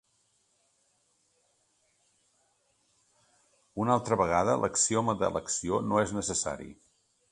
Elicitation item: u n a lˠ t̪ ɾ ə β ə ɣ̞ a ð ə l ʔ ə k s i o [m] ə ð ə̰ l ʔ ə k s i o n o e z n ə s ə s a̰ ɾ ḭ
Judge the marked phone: correct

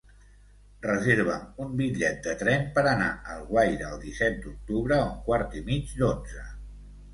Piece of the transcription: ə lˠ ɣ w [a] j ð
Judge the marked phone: correct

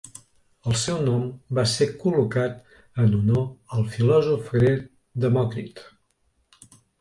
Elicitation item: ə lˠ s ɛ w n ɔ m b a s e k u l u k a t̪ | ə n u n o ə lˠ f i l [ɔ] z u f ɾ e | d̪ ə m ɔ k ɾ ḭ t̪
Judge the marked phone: correct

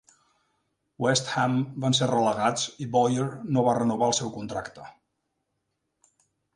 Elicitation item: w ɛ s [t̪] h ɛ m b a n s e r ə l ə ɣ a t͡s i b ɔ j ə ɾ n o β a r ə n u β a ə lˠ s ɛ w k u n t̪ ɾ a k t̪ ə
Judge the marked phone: correct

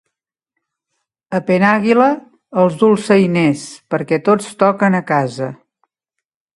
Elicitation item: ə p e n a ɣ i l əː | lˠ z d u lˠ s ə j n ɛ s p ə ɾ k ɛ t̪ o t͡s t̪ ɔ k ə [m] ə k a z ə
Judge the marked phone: incorrect: n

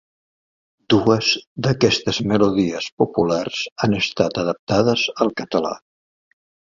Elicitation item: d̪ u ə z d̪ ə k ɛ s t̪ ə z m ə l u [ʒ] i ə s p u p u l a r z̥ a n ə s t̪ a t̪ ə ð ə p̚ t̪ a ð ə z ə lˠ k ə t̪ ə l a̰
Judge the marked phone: incorrect: ð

